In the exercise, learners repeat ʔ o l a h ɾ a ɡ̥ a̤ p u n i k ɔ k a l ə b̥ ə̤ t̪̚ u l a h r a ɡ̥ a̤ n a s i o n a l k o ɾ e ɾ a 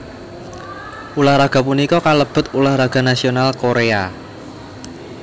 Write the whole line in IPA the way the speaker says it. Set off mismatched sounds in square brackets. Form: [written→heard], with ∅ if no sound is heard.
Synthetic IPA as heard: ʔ [o→u] l a h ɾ a ɡ̥ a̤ p u n i k ɔ k a l ə b̥ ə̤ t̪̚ u l a h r a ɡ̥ a̤ n a s i o n a l k o ɾ e [ɾ→∅] a

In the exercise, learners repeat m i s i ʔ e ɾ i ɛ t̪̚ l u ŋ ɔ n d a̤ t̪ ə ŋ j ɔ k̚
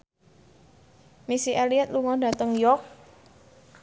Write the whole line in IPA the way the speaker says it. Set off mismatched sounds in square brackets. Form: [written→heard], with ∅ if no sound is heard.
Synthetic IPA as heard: m i s i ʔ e [ɾ→l] i ɛ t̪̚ l u ŋ ɔ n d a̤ t̪ ə ŋ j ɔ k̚

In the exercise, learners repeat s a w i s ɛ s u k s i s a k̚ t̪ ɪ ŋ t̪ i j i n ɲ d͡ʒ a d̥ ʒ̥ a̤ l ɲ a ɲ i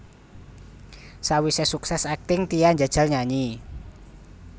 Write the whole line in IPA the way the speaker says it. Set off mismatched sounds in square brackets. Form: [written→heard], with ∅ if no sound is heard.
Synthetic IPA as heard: s a w i s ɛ s u k s [i→ɛ] s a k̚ t̪ ɪ ŋ t̪ i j [i→a] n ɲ d͡ʒ a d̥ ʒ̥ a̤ l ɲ a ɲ i

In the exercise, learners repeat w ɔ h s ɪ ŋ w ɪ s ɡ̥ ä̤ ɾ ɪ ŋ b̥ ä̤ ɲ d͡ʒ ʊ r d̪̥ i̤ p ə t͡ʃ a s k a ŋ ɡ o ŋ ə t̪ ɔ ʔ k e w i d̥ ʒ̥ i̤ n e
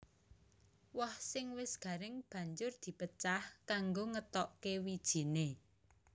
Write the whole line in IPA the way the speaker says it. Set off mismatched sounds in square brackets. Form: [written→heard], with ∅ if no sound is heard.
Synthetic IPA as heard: w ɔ h s ɪ ŋ w ɪ s ɡ̥ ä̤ ɾ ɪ ŋ b̥ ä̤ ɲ d͡ʒ ʊ r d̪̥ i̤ p ə t͡ʃ a [s→h] k a ŋ ɡ o ŋ ə t̪ ɔ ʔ k e w i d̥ ʒ̥ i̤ n e

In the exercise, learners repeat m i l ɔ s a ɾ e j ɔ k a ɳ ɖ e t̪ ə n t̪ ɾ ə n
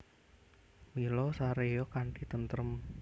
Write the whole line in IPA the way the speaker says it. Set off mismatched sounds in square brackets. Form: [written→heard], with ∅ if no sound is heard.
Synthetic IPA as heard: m i l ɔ s a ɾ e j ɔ k a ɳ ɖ [e→i] t̪ ə n t̪ ɾ ə [n→m]

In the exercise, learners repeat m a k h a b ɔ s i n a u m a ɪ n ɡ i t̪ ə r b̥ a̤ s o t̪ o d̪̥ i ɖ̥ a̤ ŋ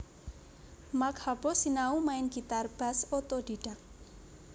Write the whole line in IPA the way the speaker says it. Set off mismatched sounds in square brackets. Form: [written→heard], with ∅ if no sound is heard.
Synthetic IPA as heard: m a k h a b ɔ s i n a u m a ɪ n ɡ i t̪ [ə→a] r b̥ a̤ s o t̪ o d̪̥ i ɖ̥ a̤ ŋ

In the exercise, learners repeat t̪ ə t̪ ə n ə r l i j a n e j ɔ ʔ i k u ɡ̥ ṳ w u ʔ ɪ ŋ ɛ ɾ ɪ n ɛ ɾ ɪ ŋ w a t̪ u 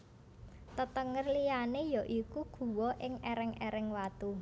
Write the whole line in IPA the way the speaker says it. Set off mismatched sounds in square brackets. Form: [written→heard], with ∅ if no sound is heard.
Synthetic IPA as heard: t̪ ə t̪ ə [n→ŋ] ə r l i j a n e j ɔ ʔ i k u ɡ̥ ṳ w [u→ɔ] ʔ ɪ ŋ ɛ ɾ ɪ [n→ŋ] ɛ ɾ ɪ ŋ w a t̪ u

